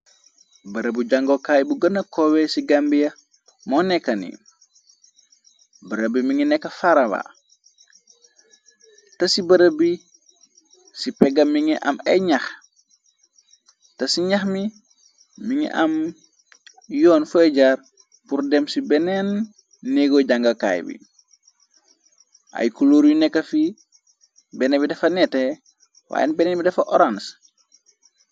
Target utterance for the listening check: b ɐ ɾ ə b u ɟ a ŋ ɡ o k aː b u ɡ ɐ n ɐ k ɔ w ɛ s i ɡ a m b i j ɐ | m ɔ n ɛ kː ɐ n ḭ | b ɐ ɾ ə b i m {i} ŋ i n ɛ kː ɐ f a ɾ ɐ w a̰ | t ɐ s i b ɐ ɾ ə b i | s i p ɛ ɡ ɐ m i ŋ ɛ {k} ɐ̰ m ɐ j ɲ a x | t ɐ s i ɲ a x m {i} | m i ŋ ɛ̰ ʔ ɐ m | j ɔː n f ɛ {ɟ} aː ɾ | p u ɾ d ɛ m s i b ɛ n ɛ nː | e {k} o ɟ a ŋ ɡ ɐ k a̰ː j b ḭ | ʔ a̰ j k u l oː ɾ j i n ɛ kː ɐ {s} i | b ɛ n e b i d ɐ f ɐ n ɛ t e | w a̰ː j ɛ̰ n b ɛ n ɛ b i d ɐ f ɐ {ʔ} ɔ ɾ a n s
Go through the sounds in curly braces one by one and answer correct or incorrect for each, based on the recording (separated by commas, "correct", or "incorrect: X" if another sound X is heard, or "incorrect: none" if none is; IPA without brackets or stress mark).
correct, incorrect: ʔ, correct, correct, incorrect: ɡ, incorrect: f, correct